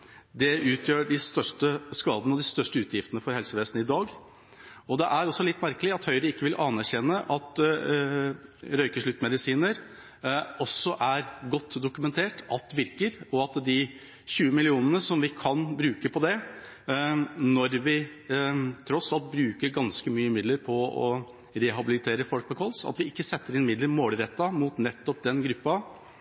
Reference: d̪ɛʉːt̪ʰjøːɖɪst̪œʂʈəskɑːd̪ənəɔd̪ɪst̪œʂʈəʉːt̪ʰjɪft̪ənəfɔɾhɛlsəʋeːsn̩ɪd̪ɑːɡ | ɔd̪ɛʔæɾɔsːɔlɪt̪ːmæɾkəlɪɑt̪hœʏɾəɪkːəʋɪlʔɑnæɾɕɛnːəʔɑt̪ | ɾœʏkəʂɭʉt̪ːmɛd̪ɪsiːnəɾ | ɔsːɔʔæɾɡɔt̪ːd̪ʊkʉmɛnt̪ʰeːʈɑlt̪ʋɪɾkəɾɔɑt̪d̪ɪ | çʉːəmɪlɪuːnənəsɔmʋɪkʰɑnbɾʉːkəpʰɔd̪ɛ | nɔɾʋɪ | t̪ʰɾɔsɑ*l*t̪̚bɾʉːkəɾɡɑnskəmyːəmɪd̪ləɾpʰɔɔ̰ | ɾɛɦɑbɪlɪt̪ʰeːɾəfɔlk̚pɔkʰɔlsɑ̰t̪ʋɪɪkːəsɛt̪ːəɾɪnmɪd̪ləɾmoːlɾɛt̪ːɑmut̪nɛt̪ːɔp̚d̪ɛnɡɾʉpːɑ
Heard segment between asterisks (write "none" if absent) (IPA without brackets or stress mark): l